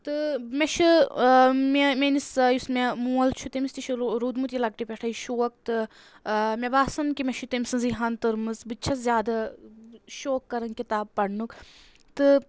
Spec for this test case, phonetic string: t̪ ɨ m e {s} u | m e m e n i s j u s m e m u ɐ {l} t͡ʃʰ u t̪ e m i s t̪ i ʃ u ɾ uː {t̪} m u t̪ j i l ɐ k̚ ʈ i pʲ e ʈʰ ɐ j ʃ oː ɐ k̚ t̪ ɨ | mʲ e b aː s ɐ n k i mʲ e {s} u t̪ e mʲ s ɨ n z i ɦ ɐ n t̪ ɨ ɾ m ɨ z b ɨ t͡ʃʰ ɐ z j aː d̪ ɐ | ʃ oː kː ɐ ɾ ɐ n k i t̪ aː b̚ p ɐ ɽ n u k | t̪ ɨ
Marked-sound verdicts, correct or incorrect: incorrect: ʃ, correct, incorrect: d̪, incorrect: ʃ

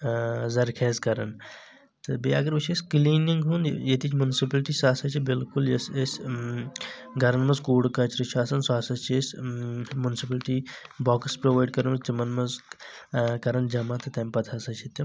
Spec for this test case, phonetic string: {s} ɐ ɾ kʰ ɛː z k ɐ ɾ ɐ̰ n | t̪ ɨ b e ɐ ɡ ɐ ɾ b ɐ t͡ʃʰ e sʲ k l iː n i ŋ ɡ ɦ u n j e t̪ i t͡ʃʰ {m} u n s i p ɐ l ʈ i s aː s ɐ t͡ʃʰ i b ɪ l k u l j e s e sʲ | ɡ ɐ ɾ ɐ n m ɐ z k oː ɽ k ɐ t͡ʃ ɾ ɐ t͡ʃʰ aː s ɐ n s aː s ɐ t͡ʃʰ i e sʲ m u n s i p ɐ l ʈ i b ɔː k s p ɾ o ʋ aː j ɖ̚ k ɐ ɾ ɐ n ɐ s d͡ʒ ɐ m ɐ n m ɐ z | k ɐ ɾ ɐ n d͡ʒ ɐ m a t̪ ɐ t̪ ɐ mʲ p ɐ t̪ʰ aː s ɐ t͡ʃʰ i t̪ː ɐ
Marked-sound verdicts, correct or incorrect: incorrect: z, correct

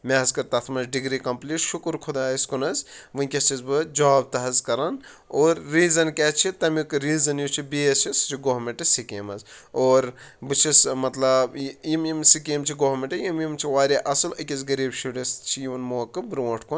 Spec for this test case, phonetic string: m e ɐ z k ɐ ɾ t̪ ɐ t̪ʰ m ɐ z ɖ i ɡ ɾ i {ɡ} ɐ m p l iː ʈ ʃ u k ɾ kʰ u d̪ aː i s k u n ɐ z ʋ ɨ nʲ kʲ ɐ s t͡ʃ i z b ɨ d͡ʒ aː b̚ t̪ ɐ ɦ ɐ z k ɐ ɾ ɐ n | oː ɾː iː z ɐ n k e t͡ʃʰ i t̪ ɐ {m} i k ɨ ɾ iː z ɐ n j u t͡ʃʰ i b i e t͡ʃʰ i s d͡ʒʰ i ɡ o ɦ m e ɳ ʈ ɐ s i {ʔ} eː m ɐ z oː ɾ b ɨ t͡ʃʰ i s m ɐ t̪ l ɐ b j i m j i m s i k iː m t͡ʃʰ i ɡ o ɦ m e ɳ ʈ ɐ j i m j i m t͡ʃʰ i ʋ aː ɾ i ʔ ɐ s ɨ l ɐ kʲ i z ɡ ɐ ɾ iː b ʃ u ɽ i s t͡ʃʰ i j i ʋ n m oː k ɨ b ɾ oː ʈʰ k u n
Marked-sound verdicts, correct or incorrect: incorrect: k, correct, incorrect: k

